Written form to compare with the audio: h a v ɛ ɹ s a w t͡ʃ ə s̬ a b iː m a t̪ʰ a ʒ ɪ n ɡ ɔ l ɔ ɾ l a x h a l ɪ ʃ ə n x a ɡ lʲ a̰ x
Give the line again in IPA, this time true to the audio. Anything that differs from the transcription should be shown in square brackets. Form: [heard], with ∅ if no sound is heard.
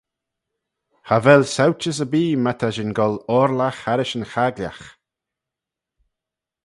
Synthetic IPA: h a v ɛ [l] s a w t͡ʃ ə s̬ [ə] b iː m a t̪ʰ a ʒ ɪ n ɡ ɔ l ɔ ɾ l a x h a [ɾ] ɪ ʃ ə n x a ɡ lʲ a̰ x

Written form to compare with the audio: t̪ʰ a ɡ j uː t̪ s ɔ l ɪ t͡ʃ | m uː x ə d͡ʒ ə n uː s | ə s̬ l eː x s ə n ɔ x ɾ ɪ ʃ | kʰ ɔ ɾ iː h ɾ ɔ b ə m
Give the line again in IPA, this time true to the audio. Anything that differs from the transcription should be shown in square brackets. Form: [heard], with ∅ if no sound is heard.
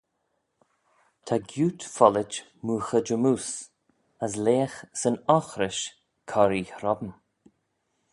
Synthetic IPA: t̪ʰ a ɡ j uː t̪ [f] ɔ l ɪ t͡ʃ | m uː x ə d͡ʒ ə [m] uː s | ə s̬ l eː x s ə n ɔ x ɾ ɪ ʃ | kʰ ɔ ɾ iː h ɾ ɔ b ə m

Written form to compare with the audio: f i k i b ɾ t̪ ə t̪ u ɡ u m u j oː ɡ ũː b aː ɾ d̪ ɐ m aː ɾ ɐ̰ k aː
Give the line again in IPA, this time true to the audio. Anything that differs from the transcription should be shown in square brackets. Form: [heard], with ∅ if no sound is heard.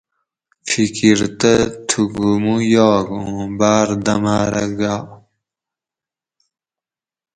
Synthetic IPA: f i k i [∅] ɾ t̪ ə [t̪ʰ] u ɡ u m u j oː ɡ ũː b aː ɾ d̪ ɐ m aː ɾ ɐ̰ [ɡ] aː

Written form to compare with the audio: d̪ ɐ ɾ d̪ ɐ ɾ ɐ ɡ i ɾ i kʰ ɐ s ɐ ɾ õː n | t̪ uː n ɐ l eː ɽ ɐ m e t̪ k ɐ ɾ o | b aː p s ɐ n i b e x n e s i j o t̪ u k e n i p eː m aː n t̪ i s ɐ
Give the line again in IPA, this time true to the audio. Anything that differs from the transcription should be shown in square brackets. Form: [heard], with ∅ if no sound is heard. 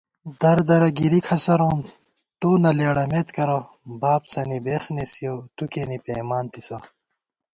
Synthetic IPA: d̪ ɐ ɾ d̪ ɐ ɾ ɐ ɡ i ɾ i kʰ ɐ s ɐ ɾ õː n | t̪ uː n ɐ l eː ɽ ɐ m e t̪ k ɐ ɾ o | b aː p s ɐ n i b e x n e s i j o t̪ u k e n i p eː m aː n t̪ i s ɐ

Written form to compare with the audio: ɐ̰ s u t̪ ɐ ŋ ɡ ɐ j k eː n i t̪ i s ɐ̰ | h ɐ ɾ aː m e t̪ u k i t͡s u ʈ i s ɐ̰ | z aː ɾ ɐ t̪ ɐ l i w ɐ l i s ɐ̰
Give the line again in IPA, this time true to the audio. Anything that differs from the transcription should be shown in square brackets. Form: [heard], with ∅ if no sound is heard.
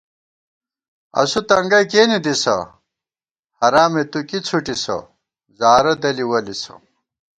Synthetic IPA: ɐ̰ s u t̪ ɐ ŋ ɡ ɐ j k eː n i [d̪] i s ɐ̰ | h ɐ ɾ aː m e t̪ u k i [t͡sʰ] u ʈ i s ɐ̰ | z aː ɾ ɐ [d̪] ɐ l i w ɐ l i s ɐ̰

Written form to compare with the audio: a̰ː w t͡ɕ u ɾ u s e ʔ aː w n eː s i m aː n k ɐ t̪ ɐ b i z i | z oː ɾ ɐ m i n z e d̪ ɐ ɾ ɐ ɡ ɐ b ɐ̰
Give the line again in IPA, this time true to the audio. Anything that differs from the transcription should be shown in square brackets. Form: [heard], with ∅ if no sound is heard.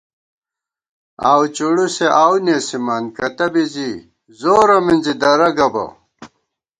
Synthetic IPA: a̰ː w t͡ɕ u [ɽ] u s e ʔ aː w n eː s i m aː n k ɐ t̪ ɐ b i z i | z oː ɾ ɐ m i n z [i] d̪ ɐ ɾ ɐ ɡ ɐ b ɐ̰

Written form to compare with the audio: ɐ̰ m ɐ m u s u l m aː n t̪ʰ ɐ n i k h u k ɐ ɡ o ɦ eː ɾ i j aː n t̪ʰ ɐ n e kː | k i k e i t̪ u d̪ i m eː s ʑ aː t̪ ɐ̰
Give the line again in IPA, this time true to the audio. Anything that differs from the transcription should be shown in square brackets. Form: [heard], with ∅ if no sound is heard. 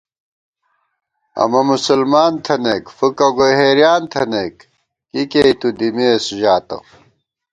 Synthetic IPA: ɐ̰ m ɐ m u s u l m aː n t̪ʰ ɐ n [e] k [f] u k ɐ ɡ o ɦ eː ɾ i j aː n t̪ʰ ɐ n e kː | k i k e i t̪ u d̪ i m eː s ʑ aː t̪ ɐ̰

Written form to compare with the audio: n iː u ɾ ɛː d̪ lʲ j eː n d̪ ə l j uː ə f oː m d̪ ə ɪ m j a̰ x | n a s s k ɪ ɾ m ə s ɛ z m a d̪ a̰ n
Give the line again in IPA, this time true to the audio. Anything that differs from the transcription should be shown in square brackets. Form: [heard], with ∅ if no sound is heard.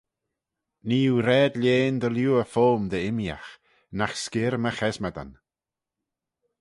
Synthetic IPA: n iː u ɾ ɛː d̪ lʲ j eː n d̪ ə l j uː ə f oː m d̪ ə ɪ m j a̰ x | n a [x] s k ɪ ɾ m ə [x] ɛ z m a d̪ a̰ n

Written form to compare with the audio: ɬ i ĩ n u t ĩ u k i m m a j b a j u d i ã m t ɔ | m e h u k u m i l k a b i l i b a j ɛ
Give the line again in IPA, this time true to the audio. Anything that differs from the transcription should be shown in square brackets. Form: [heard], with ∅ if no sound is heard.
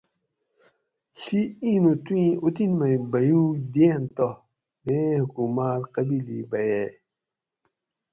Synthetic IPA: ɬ i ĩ n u t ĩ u [t] i [n] m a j b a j u d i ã [n] t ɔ | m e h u k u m [a] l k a b i l i b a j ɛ

